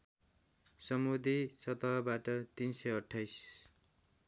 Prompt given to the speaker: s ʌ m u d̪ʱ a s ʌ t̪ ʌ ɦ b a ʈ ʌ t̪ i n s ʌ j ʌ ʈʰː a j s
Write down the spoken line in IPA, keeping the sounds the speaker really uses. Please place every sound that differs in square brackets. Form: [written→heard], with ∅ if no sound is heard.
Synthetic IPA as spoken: s ʌ m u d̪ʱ [a→i] s ʌ t̪ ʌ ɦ b a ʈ ʌ t̪ i n s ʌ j ʌ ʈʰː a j s